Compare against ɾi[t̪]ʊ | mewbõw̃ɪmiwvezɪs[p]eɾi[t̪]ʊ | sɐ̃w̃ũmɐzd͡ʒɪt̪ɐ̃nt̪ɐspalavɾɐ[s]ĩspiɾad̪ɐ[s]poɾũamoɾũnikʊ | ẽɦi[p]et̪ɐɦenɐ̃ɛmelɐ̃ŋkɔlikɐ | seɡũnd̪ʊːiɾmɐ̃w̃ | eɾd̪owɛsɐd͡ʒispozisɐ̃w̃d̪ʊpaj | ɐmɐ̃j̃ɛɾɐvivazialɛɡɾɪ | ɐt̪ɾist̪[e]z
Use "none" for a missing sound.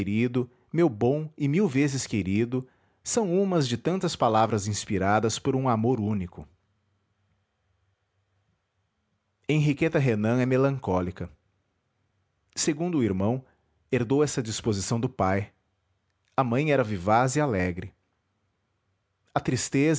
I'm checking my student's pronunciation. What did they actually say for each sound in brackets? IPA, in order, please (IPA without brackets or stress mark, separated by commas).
d̪, k, d̪, z, s, k, e